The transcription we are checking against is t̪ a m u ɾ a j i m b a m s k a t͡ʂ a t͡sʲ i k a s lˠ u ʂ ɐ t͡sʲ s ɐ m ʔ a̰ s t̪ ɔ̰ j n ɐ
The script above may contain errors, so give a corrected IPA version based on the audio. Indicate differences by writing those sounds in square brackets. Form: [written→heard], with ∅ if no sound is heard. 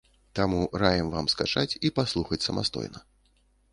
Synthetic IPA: t̪ a m u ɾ a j [i→ɛ] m [b→v] a m s k a t͡ʂ a t͡sʲ i [k→p] a s lˠ u [ʂ→x] ɐ t͡sʲ s ɐ m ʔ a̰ s t̪ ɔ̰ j n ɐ